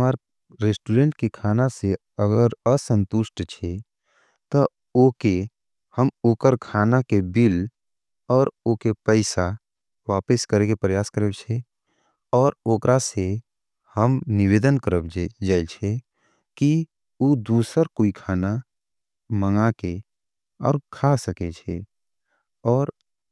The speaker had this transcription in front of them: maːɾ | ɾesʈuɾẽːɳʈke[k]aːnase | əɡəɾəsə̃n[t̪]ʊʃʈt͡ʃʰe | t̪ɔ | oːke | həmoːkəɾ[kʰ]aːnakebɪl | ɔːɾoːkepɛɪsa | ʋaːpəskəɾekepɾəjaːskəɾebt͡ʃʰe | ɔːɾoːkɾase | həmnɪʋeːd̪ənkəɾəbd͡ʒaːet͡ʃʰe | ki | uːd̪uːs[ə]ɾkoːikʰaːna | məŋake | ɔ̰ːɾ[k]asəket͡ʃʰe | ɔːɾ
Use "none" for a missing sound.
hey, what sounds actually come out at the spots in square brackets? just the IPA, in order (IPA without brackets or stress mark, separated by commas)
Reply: kʰ, t̪, kʰ, ə, kʰ